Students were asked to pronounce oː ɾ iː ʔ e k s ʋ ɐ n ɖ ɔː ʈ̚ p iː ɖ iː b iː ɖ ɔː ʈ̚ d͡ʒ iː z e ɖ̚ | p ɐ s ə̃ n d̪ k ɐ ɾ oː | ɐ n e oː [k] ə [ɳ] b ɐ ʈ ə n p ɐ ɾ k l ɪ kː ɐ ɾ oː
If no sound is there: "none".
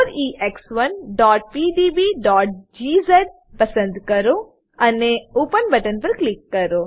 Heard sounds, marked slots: p, n

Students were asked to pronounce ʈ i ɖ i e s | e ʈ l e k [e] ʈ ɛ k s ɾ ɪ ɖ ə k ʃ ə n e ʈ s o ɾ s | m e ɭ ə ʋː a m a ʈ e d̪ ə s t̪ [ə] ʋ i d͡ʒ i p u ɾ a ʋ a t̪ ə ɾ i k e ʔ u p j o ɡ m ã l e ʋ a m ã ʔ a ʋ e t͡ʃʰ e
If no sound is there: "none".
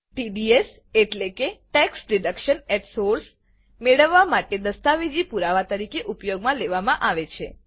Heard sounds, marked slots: e, a

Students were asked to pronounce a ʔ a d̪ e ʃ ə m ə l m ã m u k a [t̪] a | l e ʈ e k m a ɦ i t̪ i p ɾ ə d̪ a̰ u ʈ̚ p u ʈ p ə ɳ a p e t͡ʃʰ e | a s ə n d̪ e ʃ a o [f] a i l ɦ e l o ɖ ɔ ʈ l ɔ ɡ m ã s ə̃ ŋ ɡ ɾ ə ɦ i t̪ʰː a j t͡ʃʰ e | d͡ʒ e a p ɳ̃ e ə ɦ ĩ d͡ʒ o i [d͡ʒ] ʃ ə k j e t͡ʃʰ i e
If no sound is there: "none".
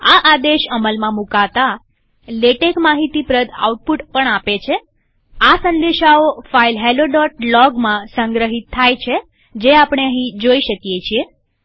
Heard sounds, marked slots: t̪, f, none

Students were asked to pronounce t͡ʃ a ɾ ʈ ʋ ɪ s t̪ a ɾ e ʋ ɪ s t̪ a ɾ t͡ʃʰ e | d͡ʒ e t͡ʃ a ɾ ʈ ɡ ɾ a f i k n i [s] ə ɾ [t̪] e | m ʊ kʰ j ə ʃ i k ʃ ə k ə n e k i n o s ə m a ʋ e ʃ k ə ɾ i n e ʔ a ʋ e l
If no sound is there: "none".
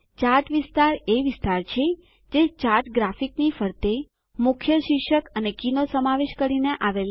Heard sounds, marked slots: f, t̪

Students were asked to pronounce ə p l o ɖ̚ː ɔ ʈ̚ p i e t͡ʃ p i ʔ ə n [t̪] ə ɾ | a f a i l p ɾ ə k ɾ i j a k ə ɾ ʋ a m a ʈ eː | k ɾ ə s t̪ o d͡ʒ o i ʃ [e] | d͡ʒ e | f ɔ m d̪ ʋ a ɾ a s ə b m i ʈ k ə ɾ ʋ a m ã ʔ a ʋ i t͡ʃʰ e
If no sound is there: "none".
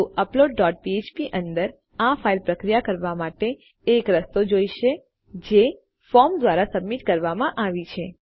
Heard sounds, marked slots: d̪, e

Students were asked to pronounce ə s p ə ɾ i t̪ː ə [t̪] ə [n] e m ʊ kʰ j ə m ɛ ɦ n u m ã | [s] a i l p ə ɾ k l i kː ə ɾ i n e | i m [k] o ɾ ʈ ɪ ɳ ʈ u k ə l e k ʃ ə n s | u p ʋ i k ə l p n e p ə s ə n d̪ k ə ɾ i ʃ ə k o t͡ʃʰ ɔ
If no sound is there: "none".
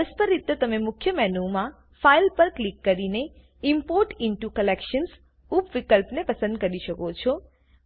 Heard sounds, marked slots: t̪, m, f, p

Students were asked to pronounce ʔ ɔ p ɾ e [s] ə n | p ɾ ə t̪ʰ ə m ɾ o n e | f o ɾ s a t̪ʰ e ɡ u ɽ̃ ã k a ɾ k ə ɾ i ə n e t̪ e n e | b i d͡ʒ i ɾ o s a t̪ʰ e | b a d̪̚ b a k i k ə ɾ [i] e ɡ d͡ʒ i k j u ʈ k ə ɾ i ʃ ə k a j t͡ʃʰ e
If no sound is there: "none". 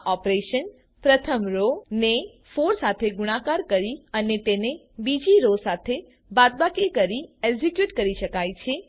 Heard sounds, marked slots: ʃ, i

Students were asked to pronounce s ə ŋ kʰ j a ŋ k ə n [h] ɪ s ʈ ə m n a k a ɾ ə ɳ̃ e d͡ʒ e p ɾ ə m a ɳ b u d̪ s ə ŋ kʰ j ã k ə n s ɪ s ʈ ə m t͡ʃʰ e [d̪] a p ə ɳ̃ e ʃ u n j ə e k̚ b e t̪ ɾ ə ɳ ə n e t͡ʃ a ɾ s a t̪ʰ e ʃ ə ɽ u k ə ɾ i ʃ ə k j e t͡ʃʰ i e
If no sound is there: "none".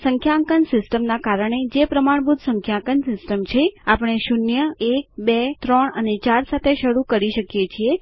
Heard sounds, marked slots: s, none

